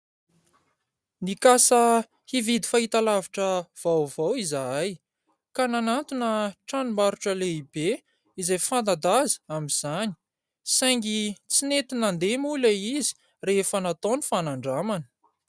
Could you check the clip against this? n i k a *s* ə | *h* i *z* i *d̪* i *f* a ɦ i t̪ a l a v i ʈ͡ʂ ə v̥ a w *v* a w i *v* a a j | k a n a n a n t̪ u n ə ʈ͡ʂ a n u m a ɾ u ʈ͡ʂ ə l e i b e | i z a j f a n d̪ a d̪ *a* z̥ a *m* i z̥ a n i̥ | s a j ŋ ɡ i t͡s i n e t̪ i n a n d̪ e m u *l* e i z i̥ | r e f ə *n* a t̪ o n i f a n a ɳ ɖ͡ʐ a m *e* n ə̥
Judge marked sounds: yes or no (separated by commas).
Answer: yes, yes, no, yes, yes, yes, no, yes, yes, yes, yes, no